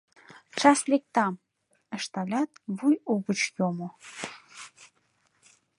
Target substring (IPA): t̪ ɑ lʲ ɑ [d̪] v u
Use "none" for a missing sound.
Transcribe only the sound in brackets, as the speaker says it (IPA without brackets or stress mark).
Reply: t̪